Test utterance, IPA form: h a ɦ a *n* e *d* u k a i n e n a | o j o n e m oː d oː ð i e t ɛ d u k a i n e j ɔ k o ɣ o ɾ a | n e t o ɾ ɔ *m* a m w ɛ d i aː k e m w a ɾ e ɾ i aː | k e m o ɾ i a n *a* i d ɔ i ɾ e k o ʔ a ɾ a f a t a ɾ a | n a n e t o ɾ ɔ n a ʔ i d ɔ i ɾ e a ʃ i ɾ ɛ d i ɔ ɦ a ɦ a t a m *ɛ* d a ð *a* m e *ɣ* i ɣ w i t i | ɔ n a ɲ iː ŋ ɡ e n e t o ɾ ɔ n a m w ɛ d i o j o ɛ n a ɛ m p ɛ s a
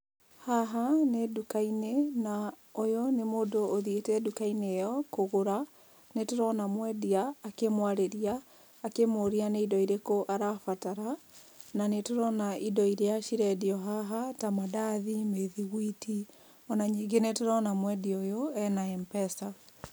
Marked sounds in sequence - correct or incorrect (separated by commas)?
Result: correct, correct, incorrect, incorrect, incorrect, incorrect, incorrect